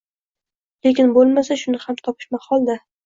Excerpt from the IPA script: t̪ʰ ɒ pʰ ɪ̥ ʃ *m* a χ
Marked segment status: correct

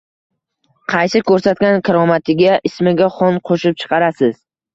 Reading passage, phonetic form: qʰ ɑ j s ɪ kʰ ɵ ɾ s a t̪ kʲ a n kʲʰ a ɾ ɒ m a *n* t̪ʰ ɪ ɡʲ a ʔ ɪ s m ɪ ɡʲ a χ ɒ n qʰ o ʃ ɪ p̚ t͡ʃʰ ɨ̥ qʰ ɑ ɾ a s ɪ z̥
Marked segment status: incorrect: none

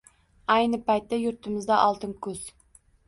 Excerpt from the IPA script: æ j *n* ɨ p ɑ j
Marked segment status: correct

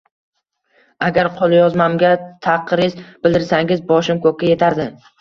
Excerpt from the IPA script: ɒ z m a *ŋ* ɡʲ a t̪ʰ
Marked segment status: incorrect: m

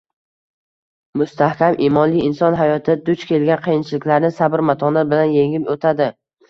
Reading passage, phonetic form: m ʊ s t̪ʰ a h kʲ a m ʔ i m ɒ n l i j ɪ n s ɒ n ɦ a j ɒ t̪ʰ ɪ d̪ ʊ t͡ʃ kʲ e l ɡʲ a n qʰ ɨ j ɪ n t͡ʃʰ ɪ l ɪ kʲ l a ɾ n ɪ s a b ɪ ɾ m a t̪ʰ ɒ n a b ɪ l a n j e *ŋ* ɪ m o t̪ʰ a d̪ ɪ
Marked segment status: correct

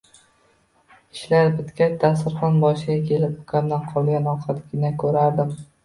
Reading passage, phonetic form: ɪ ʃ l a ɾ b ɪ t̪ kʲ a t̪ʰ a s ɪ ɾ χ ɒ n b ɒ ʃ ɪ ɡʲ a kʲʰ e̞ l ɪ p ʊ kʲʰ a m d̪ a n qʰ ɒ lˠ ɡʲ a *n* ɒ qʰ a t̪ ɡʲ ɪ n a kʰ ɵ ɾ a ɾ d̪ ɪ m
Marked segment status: correct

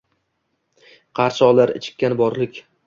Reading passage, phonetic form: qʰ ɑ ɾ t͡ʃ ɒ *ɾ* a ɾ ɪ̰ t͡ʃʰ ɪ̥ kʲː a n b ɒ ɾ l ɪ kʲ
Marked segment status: incorrect: l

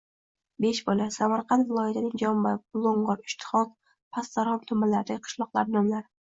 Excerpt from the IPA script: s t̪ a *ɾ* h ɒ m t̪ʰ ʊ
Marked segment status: correct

